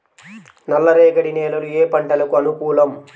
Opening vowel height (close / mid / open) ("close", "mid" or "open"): open